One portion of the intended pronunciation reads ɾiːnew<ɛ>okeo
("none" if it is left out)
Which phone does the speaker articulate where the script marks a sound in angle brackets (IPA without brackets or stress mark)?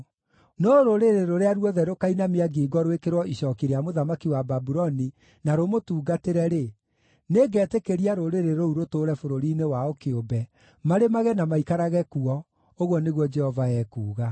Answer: a